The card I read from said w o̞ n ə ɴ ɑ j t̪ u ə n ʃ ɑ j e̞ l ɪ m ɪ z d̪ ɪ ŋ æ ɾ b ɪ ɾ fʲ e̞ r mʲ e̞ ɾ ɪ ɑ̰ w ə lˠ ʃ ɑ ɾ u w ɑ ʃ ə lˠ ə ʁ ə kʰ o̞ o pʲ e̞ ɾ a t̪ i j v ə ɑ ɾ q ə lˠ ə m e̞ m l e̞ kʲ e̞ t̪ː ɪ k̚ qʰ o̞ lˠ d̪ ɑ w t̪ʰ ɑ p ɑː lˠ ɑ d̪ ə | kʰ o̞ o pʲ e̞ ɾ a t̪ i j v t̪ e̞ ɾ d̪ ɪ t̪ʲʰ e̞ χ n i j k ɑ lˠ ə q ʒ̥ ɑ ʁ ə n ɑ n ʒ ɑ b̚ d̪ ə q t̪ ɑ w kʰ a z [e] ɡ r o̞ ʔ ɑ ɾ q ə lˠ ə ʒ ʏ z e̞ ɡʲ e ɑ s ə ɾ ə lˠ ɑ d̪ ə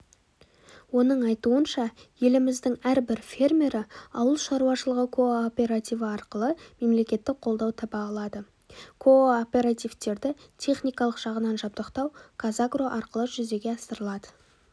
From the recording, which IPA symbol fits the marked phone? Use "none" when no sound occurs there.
a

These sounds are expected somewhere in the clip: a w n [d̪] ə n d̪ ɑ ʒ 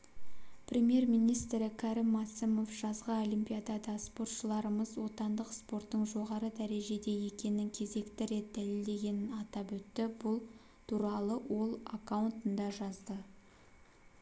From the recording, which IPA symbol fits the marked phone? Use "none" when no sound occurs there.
t̪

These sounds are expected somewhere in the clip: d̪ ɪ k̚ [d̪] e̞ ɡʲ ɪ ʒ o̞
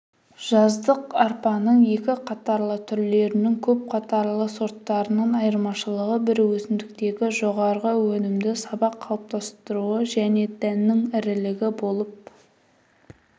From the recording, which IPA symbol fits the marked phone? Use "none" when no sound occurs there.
t̪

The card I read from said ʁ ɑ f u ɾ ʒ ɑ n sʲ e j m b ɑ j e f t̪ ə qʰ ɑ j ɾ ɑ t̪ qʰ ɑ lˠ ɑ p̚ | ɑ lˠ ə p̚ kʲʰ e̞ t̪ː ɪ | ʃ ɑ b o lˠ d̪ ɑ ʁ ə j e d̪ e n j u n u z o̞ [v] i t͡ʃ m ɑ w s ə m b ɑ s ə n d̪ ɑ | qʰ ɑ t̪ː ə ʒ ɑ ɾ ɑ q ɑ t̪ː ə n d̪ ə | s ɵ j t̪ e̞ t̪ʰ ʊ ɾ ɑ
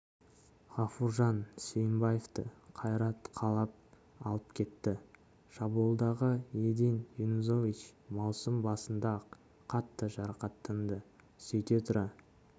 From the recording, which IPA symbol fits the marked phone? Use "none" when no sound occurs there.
v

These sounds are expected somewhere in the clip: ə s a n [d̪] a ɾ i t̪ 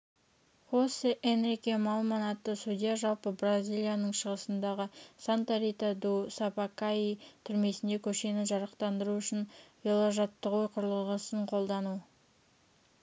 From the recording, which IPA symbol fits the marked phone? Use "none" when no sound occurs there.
t̪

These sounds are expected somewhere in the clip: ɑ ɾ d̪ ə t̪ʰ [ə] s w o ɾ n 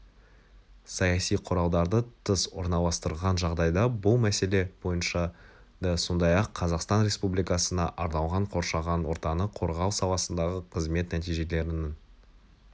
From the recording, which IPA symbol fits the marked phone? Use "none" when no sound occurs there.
ə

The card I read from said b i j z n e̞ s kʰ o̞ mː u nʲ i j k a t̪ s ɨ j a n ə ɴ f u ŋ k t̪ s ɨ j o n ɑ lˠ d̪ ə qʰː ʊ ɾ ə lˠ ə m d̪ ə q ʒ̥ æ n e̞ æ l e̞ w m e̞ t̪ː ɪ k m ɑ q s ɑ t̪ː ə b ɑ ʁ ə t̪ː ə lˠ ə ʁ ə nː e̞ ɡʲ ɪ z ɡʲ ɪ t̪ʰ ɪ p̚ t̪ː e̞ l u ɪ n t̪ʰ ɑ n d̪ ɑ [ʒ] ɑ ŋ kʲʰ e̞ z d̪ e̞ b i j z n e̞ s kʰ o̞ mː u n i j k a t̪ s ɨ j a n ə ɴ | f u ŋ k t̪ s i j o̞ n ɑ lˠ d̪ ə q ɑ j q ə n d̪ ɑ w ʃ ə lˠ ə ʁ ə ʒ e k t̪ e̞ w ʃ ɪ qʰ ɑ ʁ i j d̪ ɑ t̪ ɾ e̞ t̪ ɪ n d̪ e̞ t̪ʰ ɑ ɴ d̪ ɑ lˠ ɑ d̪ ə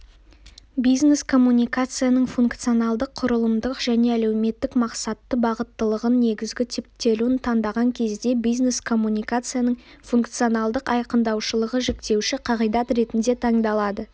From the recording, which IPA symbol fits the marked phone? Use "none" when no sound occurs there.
ʁ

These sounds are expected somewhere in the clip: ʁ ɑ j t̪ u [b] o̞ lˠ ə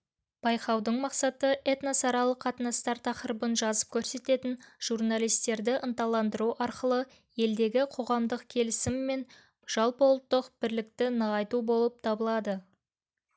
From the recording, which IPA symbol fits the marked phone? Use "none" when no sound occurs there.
b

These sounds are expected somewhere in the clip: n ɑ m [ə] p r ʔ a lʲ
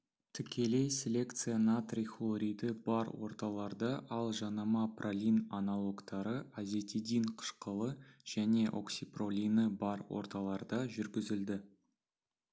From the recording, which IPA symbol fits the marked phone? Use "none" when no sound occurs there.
ɑ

